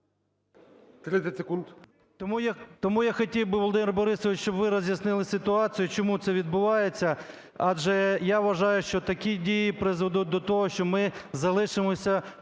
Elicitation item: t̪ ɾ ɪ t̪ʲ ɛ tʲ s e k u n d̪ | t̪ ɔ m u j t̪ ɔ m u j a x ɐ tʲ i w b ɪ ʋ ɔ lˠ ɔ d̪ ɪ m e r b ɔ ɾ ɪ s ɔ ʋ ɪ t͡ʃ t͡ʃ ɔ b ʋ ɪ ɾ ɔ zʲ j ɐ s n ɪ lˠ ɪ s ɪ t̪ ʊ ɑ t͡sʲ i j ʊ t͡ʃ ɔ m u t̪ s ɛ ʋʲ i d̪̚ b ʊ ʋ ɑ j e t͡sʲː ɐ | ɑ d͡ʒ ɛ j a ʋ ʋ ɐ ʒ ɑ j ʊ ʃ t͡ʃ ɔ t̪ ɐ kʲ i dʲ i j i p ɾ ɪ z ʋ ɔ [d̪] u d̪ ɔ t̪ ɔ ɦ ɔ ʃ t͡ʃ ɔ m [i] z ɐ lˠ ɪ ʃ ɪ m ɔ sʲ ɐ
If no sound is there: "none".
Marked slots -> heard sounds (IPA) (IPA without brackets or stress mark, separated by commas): d̪, ɪ